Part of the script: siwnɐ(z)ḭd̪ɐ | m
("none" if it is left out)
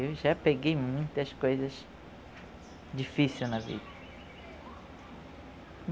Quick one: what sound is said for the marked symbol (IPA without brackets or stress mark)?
v